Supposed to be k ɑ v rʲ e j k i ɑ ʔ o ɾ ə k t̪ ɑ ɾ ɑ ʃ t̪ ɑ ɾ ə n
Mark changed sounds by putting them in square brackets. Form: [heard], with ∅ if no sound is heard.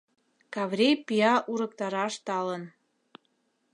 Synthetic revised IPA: k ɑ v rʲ e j [p] i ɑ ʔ [u] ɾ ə k t̪ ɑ ɾ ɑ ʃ t̪ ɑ [l] ə n

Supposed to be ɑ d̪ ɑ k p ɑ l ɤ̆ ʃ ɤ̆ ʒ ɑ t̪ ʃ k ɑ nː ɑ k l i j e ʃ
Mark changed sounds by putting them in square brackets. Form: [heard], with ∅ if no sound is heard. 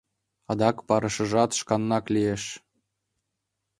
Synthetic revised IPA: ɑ d̪ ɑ k p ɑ [ɾ] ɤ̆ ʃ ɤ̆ ʒ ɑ t̪ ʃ k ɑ nː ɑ k l i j e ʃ

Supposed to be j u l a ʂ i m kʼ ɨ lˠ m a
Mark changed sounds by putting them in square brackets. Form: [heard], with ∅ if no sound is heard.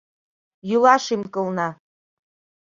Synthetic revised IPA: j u l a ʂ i m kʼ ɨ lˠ [n] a

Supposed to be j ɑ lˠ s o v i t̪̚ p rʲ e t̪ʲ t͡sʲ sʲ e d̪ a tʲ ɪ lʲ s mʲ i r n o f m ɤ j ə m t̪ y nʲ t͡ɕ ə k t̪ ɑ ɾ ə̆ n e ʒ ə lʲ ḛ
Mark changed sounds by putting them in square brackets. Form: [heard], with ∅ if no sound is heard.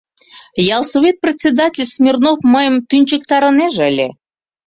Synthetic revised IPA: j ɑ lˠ s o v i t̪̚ p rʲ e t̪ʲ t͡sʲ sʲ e d̪ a tʲ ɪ lʲ s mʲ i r n o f m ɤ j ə m t̪ y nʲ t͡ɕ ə k t̪ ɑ ɾ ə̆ n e ʒ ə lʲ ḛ

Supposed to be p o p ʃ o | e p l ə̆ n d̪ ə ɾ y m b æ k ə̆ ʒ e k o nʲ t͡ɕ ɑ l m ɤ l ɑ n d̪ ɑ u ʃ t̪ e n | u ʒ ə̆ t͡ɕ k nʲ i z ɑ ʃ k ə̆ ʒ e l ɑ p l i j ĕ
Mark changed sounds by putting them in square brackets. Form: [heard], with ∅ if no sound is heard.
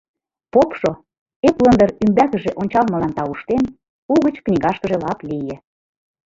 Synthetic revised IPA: p o p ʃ o | e p l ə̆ n d̪ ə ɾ y m b æ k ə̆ ʒ e [ʔ] o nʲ t͡ɕ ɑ l m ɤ l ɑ n [t̪] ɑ u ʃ t̪ e n | u [ɣ] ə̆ t͡ɕ k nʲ i [ɣ] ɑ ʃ k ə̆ ʒ e l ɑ p l i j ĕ

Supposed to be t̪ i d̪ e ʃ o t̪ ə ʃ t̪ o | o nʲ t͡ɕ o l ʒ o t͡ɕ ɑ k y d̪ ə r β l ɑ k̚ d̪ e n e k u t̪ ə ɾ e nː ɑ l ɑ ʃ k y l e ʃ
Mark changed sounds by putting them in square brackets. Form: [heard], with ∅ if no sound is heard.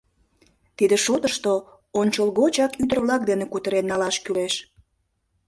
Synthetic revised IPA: t̪ i d̪ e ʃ o t̪ ə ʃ t̪ o | o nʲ t͡ɕ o l [ɣ] o t͡ɕ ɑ k y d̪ ə r β l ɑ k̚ d̪ e n e k u t̪ ə ɾ e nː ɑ l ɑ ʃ k y l e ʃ

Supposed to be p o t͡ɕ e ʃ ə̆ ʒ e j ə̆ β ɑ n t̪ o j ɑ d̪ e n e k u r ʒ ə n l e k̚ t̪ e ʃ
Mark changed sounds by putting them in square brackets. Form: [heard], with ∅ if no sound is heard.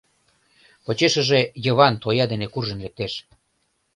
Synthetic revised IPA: p o t͡ɕ e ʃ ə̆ ʒ e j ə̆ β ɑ n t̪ o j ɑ d̪ e n e k u r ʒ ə n l e k̚ t̪ e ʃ

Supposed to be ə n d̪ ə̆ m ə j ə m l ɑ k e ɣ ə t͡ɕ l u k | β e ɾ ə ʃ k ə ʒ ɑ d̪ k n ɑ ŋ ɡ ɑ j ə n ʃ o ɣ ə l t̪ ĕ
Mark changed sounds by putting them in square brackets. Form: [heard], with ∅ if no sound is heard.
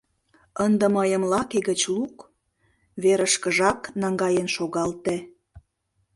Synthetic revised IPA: ə n d̪ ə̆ m ə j ə m l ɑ k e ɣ ə t͡ɕ l u k | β e ɾ ə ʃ k ə ʒ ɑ [∅] k n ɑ ŋ ɡ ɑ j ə n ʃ o ɣ [ɑ] l t̪ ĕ

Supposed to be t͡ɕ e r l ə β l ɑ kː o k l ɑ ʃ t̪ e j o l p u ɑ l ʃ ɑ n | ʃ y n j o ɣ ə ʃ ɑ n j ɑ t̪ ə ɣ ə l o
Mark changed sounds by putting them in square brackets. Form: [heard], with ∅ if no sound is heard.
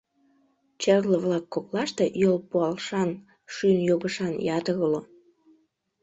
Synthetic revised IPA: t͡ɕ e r l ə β l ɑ kː o k l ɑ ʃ t̪ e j o l p u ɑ l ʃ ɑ n | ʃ y n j o ɣ ə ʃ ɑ n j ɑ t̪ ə ɣ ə l o

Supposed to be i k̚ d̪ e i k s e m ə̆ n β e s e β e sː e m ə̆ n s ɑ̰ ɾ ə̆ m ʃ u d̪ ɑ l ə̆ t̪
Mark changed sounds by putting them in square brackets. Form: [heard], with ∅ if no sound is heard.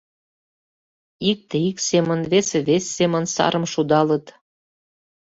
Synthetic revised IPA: i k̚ [t̪] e i k s e m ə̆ n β e s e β e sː e m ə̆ n s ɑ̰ ɾ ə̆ m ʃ u d̪ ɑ l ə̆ t̪

